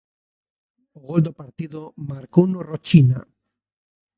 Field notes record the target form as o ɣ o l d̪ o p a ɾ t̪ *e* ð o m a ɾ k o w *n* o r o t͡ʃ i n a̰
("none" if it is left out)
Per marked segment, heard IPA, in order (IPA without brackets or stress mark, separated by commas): i, n